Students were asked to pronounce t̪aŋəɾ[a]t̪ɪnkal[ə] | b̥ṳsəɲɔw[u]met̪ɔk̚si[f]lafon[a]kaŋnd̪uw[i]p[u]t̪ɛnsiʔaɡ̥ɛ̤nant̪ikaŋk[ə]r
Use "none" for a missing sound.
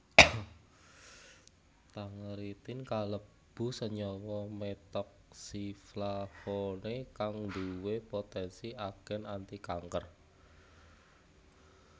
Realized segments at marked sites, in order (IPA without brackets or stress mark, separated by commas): i, ə, ɔ, f, e, e, o, ə